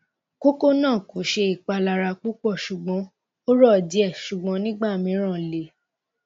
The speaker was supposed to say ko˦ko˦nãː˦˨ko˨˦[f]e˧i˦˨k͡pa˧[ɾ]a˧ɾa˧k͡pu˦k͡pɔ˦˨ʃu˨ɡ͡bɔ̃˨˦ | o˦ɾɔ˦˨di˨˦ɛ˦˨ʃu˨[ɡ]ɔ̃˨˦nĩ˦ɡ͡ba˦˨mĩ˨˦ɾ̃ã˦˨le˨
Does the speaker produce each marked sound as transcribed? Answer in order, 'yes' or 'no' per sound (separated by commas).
no, no, no